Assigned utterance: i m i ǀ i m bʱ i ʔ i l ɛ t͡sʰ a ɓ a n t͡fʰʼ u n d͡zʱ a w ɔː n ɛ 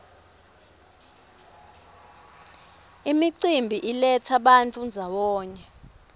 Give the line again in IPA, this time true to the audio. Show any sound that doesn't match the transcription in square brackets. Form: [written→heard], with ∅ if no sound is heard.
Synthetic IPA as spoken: i m i ǀ i m bʱ i ʔ i l ɛ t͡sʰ a ɓ a n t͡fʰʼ u n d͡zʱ a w ɔː [n→ɲ] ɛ

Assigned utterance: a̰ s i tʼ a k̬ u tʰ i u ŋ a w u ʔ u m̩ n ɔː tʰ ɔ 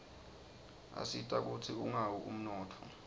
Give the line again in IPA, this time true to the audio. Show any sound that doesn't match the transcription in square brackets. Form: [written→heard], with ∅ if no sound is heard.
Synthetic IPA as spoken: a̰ s i tʼ a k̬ u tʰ i u ŋ a w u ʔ u m̩ n ɔː tʰ ɔ

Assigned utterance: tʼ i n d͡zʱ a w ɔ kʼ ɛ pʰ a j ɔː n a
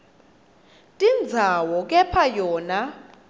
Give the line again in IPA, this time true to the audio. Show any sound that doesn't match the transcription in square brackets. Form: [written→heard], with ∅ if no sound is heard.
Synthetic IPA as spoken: tʼ i n d͡zʱ a w ɔ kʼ ɛ pʰ a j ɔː n a

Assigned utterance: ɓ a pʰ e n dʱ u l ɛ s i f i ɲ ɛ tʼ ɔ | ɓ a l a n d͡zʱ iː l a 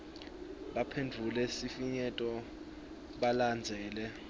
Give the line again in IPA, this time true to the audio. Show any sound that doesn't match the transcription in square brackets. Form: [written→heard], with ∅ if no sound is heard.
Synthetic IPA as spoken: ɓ a pʰ e n dʱ u l ɛ s i f i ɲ ɛ tʼ ɔ | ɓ a l a n d͡zʱ [iː→ɛː] l [a→ɛ]

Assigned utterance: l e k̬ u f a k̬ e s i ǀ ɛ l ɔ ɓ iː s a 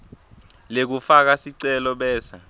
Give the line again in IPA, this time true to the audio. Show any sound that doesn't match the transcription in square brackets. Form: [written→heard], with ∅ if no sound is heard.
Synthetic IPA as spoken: l e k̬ u f a k̬ [e→a] s i ǀ ɛ l ɔ ɓ [iː→ɛː] s a

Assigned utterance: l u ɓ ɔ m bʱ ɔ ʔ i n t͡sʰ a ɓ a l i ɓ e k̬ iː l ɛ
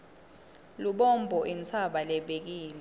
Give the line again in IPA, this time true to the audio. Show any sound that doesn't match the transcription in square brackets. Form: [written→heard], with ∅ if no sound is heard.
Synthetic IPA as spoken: l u ɓ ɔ m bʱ ɔ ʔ i n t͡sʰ a ɓ a l [i→ɛ] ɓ e k̬ iː l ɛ

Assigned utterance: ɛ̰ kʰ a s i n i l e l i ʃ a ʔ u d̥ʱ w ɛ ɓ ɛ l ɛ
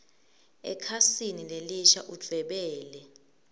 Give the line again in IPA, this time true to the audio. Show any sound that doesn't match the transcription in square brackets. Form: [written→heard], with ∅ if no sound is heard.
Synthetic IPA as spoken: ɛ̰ kʰ a s i n i l e l i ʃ a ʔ u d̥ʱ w ɛ ɓ [ɛ→ɛː] l ɛ

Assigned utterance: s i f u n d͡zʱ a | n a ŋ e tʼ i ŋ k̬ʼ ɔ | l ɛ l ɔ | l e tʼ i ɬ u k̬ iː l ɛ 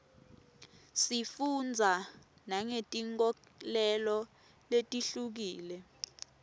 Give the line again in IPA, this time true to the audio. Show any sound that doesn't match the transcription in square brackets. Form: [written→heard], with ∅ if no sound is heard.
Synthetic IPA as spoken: s i f u n d͡zʱ a | n a ŋ e tʼ i ŋ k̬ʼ ɔ | l ɛ l ɔ | l e tʼ i ɬ u k̬ iː l ɛ

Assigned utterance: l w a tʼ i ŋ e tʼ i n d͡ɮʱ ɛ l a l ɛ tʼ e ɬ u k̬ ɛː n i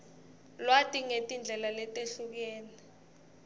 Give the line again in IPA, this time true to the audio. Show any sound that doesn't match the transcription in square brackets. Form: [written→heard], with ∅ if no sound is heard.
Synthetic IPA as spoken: l w a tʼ i ŋ e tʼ i n d͡ɮʱ ɛ l a l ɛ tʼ e ɬ u k̬ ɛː n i

